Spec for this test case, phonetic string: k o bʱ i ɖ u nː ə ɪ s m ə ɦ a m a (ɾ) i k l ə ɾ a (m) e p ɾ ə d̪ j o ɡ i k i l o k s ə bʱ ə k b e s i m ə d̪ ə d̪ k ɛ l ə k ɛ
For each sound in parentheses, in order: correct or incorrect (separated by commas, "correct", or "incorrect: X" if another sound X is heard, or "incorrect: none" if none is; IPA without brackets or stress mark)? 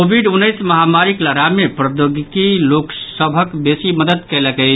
correct, correct